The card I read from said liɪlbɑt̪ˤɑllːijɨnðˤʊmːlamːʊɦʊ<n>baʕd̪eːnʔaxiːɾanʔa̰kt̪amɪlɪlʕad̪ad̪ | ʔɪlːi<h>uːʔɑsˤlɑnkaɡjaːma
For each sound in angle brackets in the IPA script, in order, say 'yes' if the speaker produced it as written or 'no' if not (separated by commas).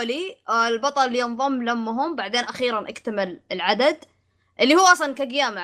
no, yes